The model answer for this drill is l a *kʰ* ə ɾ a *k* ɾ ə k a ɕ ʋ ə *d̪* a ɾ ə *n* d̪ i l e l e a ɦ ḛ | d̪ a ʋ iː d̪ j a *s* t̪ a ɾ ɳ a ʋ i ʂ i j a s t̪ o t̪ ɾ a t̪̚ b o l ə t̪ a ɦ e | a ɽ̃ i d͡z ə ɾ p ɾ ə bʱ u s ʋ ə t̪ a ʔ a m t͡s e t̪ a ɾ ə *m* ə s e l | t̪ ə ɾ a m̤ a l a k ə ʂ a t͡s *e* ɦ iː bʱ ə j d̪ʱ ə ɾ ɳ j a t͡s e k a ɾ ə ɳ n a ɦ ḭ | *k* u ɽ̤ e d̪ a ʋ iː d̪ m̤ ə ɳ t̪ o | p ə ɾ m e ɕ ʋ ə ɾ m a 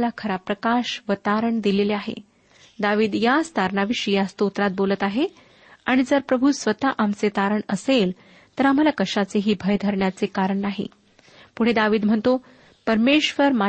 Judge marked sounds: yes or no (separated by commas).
yes, no, no, no, yes, no, yes, no